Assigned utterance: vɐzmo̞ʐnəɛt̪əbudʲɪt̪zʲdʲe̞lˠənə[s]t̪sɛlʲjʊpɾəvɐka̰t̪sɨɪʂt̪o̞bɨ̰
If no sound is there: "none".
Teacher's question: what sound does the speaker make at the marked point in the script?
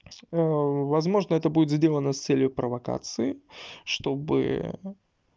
s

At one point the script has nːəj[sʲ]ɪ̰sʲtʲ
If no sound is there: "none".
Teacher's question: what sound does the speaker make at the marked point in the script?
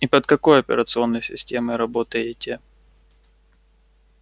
sʲ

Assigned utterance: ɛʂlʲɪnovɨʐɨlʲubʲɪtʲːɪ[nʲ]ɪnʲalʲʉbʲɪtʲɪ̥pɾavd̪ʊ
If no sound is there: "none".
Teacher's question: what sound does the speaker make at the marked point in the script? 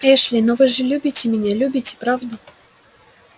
mʲ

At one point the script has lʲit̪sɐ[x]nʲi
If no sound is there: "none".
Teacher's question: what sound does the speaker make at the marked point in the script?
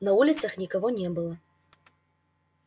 x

